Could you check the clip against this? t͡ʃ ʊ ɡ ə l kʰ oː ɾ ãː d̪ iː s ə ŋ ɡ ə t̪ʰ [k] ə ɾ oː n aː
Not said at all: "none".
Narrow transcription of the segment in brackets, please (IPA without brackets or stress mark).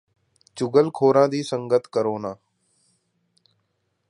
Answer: k